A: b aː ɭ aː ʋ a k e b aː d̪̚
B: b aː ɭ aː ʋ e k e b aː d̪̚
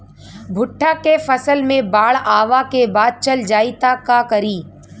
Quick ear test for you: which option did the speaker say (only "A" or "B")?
A